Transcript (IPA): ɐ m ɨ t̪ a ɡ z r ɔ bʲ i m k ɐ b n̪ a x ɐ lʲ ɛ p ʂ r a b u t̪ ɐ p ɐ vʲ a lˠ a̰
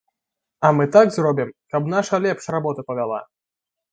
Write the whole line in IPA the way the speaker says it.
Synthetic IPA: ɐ m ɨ t̪ a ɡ z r ɔ bʲ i m k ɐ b n̪ a ʂ ɐ lʲ ɛ p ʂ r a b ɔ t̪ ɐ p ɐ vʲ a lˠ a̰